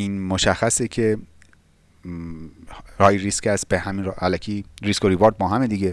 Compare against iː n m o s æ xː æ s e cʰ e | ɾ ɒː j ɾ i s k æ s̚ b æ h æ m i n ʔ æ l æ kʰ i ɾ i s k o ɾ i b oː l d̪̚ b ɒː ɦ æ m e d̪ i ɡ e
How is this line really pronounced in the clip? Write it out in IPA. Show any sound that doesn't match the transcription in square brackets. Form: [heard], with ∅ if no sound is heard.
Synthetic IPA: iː n m o [ʃ] æ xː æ s e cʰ e | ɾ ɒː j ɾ i s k æ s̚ b [e] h æ m i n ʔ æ l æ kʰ i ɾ i s k o ɾ i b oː [ɾ] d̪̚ b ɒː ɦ æ m e d̪ i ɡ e